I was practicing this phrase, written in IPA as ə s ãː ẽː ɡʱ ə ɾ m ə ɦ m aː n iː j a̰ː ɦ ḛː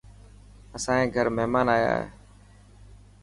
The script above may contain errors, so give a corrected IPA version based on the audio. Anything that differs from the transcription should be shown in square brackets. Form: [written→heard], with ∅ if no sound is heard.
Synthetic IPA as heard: ə s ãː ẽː ɡʱ ə ɾ m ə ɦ m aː n [iː→aː] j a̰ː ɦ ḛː